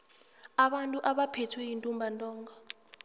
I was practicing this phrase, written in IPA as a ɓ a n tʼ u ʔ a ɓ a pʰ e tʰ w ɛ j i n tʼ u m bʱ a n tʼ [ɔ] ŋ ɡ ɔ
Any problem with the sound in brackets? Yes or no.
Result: yes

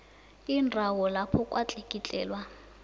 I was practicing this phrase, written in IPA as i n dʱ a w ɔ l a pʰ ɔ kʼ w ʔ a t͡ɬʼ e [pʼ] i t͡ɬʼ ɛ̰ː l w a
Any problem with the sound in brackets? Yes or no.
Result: yes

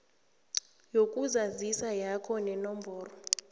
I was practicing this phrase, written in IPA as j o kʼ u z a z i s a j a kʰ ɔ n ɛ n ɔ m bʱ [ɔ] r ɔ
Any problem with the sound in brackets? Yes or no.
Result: yes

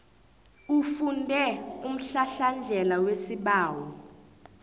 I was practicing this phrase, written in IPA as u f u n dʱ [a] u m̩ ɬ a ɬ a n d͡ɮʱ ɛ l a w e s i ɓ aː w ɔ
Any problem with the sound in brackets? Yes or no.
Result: yes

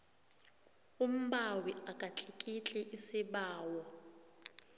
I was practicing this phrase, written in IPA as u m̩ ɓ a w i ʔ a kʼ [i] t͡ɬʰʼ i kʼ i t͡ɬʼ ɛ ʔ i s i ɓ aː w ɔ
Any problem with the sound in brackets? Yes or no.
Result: yes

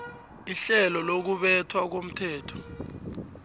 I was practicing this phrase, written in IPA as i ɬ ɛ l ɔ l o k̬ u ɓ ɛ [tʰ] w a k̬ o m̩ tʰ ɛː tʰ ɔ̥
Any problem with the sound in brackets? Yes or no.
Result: no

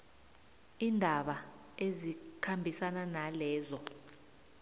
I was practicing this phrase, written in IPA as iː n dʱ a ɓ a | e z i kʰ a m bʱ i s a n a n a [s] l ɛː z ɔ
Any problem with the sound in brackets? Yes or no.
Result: yes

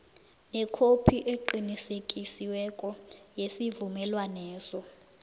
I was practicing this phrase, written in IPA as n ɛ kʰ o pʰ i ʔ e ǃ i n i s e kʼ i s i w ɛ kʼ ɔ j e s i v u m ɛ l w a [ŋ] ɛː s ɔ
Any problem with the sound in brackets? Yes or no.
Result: yes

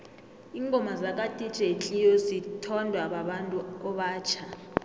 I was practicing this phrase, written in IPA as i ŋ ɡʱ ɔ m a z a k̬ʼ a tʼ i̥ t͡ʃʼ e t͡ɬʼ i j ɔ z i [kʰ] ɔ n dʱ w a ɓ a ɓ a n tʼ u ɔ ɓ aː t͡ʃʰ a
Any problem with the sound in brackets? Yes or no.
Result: yes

